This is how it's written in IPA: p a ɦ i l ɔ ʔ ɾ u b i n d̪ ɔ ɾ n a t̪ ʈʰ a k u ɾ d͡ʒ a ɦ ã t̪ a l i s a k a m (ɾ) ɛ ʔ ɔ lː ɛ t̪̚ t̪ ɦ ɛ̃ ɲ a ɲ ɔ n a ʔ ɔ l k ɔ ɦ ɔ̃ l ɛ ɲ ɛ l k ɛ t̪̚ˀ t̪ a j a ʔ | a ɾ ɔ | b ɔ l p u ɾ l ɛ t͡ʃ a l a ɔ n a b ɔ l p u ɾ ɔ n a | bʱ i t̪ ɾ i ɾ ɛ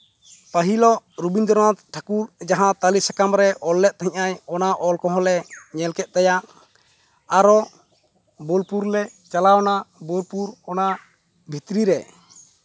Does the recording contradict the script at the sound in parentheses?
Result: no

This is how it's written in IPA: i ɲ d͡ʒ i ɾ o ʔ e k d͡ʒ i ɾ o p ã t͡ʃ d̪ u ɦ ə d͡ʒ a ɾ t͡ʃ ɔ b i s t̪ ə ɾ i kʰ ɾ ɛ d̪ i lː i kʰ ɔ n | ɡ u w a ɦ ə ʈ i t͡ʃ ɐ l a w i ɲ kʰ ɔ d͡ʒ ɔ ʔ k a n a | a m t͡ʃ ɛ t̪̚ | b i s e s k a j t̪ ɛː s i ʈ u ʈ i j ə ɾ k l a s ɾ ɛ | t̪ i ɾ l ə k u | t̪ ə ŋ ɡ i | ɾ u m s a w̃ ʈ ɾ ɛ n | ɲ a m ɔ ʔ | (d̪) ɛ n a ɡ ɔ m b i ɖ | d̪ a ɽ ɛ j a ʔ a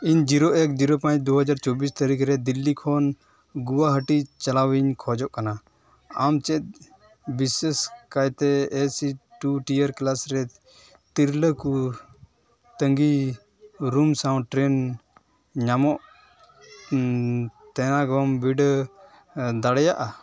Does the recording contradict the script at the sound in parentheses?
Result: yes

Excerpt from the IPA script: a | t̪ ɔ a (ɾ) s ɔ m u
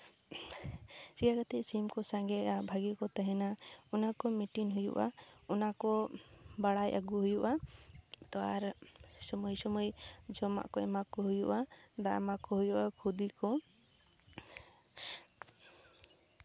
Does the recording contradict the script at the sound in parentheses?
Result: no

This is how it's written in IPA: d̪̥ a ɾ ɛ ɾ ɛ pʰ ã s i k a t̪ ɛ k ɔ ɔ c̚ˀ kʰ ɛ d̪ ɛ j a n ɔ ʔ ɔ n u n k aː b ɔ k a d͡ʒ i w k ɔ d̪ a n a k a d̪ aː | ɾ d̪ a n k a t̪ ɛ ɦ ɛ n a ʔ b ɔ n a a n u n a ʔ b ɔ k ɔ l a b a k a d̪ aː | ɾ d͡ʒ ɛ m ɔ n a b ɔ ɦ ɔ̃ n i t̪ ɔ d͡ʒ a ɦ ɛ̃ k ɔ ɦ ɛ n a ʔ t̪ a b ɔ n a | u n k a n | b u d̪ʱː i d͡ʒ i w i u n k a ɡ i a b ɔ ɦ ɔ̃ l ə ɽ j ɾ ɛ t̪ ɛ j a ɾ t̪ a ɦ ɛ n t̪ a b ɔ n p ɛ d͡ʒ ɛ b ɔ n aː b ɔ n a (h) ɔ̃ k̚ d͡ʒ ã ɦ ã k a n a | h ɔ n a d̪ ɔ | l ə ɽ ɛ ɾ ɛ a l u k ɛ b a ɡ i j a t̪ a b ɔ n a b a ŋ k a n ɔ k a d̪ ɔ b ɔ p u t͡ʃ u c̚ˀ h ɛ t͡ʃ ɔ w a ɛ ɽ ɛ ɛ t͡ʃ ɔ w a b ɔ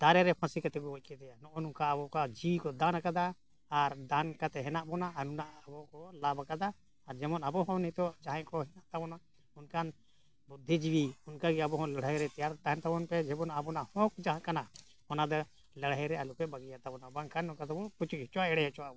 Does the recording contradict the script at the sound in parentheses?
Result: no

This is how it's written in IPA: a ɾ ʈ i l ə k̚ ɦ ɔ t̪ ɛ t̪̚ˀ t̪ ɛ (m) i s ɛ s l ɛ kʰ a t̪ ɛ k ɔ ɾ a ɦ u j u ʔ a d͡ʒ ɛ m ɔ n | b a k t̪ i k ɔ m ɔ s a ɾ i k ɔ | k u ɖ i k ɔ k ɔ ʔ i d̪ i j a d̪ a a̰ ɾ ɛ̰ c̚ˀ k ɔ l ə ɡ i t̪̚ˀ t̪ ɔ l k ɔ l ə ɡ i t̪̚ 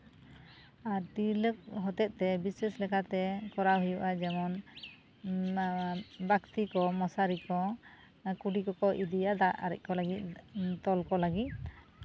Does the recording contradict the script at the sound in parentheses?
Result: yes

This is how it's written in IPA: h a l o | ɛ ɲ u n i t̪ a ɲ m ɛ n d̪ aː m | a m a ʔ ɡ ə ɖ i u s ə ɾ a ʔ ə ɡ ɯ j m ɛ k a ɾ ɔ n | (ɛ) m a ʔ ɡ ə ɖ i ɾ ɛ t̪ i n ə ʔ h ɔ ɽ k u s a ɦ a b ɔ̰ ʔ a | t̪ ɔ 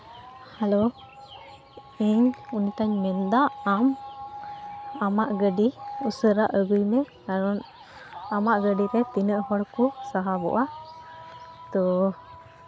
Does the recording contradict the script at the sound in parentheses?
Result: yes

